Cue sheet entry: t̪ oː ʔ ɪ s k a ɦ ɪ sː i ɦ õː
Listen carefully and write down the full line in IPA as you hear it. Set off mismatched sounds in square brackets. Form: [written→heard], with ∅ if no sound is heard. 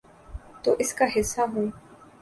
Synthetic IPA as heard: t̪ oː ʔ ɪ s k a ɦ ɪ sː [i→a] ɦ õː